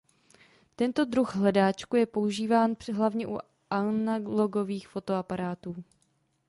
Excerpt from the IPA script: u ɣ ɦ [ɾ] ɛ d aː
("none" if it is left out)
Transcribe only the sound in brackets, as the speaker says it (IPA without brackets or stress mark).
l